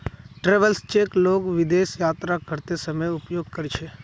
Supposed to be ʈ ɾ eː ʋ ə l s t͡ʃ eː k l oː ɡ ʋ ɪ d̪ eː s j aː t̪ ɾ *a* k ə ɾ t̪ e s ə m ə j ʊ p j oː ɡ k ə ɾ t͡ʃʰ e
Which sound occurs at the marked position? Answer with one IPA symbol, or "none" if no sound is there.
a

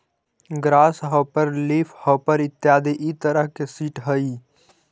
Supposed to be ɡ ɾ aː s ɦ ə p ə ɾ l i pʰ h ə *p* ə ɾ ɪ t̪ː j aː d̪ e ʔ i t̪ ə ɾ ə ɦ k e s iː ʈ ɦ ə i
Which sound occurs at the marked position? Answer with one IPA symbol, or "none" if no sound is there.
p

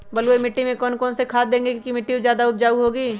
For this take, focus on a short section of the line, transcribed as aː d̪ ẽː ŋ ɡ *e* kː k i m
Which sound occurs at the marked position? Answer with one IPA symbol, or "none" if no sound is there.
e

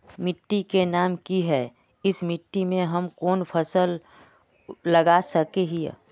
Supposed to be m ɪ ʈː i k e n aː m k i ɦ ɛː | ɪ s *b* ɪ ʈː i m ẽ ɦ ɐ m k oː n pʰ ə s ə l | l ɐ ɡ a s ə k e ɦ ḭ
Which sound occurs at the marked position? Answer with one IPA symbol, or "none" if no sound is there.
m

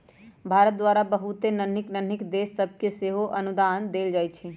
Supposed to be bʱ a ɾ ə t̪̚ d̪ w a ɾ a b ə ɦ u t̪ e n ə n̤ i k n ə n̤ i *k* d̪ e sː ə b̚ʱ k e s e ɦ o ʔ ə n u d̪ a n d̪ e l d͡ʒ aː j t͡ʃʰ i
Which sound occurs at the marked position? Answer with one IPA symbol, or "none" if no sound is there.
k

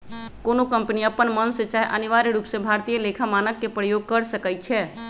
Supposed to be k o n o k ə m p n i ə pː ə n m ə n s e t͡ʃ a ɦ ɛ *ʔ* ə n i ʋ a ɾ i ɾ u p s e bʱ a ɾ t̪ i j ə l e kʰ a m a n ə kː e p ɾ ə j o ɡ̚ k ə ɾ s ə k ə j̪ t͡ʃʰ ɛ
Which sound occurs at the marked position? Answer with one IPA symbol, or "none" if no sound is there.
ʔ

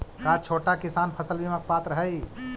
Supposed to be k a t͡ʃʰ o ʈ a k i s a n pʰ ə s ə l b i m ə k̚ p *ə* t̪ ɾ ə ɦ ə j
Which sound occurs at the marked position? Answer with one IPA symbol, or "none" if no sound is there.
a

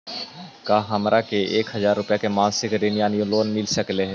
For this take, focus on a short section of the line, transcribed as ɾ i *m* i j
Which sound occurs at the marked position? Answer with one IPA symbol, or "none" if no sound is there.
n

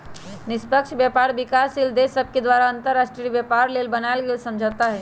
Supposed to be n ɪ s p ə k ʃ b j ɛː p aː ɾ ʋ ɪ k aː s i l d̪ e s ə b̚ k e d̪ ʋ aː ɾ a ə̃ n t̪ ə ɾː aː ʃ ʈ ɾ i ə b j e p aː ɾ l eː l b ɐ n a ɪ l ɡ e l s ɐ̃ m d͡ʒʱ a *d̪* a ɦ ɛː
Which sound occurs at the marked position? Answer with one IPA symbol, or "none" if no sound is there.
t̪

